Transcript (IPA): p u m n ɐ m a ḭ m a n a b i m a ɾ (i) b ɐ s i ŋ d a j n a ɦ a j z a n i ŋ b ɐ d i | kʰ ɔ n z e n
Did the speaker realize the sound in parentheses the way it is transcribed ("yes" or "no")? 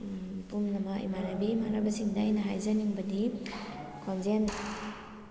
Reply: no